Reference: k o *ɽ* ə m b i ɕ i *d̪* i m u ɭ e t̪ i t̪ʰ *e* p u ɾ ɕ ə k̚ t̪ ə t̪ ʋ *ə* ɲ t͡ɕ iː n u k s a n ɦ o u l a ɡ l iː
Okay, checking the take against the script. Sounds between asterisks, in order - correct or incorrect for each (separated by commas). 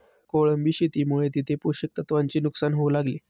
incorrect, incorrect, correct, incorrect